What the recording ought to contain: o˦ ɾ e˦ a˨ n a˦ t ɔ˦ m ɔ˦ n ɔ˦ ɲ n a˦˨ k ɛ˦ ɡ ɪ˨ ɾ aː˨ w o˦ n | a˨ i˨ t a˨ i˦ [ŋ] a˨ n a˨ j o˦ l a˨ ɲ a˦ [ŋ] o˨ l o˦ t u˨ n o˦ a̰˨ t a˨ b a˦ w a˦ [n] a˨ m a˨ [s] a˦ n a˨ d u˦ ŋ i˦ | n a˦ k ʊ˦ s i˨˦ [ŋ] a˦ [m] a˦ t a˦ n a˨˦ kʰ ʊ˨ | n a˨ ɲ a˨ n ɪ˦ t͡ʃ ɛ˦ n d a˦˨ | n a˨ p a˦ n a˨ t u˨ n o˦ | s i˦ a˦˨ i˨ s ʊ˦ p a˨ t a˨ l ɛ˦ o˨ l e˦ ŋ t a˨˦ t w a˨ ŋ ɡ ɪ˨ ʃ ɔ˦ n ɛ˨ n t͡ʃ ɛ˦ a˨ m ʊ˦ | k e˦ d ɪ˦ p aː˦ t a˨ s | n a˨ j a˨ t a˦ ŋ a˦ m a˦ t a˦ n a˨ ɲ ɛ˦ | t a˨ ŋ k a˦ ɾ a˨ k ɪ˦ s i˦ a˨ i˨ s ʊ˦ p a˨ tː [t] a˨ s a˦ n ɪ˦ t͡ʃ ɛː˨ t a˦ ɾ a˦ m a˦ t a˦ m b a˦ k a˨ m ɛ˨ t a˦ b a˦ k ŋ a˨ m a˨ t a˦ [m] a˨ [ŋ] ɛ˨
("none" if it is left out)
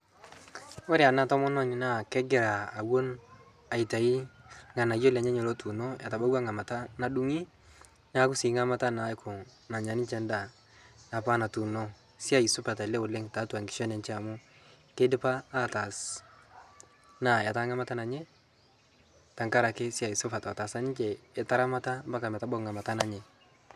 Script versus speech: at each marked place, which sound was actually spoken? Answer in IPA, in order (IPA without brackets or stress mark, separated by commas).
ŋ, ɲ, ŋ, t, ŋ, m, t, n, ɲ